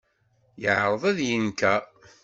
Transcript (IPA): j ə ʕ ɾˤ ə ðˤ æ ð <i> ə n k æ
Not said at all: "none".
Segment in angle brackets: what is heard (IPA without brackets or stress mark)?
j